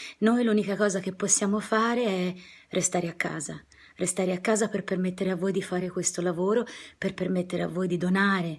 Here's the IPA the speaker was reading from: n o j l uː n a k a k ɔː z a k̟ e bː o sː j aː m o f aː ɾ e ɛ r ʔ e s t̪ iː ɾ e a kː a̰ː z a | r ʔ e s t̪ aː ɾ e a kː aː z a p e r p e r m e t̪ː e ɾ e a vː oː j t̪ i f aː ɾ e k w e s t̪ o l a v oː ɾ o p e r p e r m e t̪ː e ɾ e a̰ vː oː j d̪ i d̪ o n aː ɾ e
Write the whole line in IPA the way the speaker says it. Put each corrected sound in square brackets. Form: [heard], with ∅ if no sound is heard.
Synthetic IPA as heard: n o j l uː n [i] k a k ɔː z a k̟ e [pː] o sː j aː m o f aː ɾ e ɛ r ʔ e s t̪ [aː] ɾ e a kː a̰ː z a | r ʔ e s t̪ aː ɾ e a kː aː z a p e r p e r m e t̪ː e ɾ e a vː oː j [d̪] i f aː ɾ e k w e s t̪ o l a v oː ɾ o p e r p e r m e t̪ː e ɾ e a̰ vː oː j d̪ i d̪ o n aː ɾ e